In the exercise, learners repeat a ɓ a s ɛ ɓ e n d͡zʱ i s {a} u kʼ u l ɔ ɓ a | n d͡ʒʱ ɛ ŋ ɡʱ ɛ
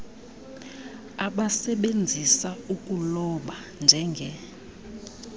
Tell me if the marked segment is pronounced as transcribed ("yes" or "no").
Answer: yes